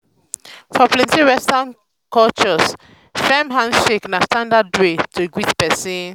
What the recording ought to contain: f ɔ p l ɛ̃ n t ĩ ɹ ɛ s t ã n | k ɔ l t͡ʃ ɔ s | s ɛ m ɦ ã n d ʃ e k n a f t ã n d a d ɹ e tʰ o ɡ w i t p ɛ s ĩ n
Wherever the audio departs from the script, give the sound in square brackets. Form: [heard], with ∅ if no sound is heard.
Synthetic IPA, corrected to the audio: f ɔ p l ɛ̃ n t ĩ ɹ ɛ s t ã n | k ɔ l t͡ʃ ɔ s | [f] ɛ m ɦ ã n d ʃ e k n a [s] t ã n d a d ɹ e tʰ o ɡ w i t p ɛ s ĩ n